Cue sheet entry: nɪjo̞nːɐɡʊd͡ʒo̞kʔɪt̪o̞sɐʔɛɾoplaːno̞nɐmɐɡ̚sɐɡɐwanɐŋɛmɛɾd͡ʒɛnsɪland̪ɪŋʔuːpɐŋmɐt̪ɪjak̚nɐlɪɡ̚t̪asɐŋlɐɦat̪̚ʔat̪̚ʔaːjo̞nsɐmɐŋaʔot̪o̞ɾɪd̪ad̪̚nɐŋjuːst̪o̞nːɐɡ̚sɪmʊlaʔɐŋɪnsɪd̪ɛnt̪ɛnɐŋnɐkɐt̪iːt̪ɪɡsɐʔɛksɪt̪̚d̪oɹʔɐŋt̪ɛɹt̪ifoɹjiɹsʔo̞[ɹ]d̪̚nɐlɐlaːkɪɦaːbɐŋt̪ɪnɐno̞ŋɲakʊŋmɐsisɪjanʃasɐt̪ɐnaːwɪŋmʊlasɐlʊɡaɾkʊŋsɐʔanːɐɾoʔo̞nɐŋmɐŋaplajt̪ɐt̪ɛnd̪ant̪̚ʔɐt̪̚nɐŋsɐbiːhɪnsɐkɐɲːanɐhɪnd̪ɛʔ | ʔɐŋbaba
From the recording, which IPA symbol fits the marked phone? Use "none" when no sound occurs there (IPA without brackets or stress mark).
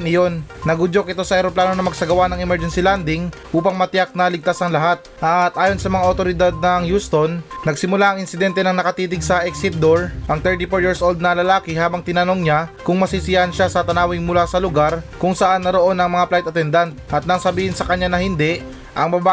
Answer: l